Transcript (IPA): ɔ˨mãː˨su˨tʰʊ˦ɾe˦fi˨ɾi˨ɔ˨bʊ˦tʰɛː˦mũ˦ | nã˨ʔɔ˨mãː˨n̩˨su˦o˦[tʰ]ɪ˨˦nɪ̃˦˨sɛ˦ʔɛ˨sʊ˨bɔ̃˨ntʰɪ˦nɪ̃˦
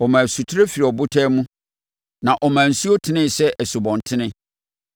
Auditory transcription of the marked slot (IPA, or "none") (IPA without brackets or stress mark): tʰ